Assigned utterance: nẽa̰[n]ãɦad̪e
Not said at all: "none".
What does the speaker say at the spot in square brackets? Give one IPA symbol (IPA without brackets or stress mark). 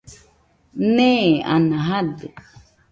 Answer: n